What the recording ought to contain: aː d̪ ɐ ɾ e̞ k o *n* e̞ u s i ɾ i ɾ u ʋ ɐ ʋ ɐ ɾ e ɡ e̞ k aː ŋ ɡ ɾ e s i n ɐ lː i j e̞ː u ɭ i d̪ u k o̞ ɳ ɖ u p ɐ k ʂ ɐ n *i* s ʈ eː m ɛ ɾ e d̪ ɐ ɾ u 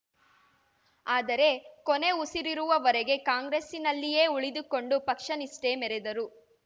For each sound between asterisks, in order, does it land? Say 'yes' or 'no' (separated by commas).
yes, yes